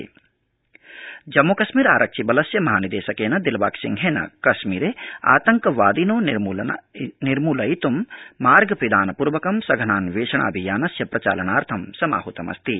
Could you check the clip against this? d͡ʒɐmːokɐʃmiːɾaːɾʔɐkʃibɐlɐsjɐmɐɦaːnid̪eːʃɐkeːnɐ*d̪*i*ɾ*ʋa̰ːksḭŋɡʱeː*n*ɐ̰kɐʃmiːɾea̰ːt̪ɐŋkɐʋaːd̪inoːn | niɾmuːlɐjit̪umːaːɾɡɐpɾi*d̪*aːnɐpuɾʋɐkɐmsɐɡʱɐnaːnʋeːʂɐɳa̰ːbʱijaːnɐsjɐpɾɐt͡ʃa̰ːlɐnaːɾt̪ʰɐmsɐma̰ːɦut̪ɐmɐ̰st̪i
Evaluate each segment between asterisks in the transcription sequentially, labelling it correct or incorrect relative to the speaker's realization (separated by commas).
correct, incorrect, correct, correct